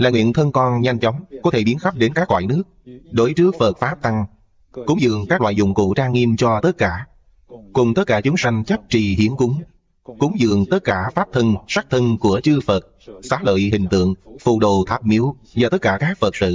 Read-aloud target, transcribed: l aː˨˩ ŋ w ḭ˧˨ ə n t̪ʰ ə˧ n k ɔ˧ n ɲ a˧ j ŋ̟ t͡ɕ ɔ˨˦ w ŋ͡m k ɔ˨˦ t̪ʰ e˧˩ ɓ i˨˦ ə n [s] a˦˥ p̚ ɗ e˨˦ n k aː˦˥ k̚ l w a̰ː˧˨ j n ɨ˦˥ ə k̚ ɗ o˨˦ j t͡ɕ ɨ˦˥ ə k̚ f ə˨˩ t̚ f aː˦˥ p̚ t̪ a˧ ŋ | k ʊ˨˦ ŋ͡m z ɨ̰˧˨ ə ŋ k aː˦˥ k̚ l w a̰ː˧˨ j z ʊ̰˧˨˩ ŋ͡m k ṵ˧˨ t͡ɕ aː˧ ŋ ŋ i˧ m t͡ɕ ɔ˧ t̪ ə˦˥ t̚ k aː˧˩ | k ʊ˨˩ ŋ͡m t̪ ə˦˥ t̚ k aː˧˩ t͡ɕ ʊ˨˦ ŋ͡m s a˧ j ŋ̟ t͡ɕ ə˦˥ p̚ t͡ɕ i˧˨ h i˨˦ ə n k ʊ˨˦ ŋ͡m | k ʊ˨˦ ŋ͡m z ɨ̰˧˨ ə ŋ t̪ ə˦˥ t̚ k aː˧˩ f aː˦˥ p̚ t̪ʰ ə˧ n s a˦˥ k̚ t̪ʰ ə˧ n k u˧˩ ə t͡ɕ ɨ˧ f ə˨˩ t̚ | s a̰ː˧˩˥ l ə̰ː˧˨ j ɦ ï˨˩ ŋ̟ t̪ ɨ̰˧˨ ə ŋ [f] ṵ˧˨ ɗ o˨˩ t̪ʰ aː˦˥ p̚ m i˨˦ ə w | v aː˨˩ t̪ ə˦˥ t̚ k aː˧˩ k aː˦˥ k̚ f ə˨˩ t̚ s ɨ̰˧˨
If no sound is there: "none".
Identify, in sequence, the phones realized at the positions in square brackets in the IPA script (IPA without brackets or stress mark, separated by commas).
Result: x, f